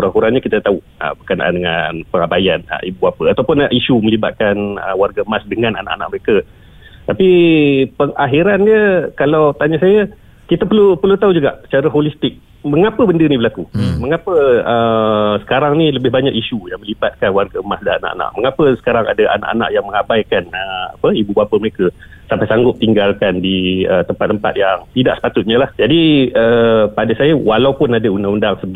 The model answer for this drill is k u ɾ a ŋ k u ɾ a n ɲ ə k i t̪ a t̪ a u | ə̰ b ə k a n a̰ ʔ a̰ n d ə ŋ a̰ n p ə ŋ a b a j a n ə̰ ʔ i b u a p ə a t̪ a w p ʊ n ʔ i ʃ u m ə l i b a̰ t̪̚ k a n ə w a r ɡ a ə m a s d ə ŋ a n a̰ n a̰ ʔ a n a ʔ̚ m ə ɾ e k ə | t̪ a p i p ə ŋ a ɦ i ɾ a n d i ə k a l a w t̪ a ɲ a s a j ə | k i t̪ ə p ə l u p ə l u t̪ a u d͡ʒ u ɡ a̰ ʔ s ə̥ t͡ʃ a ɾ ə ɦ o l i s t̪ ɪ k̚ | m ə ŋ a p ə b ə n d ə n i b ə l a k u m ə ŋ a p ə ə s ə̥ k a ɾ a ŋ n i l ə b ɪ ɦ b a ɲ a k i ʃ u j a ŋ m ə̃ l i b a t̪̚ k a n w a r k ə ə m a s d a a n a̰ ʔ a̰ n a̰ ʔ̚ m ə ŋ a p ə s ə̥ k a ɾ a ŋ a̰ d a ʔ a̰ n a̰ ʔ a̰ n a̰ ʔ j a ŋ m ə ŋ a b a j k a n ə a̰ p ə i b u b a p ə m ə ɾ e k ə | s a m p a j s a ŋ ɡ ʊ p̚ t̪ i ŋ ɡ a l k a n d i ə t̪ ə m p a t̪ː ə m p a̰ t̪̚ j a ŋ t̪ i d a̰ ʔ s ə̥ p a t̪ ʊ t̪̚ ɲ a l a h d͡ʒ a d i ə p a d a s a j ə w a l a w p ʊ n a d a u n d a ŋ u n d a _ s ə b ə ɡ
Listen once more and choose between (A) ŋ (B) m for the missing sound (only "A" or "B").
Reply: A